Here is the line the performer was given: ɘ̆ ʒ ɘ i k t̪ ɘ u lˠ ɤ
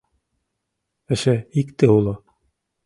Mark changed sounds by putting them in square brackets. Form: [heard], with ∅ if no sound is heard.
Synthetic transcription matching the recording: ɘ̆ [ʃ] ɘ i k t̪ ɘ u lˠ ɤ